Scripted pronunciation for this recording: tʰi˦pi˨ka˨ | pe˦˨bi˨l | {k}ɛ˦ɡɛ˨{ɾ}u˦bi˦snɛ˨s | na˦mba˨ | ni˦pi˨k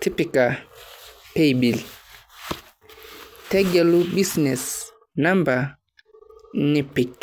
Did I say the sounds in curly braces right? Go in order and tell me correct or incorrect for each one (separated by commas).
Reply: incorrect, incorrect